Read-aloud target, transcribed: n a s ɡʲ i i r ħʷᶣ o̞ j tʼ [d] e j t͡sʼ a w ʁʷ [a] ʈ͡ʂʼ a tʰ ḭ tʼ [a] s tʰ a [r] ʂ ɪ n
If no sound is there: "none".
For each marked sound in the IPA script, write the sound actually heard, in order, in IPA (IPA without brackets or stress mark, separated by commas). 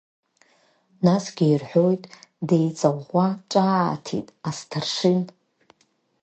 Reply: d, a, a, r